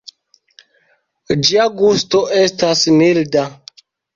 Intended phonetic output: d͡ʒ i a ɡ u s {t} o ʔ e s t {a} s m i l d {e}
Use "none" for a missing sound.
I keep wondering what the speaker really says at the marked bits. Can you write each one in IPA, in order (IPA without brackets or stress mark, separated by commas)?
t, a, a